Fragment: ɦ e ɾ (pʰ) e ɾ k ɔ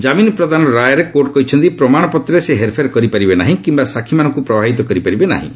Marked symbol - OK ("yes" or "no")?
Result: yes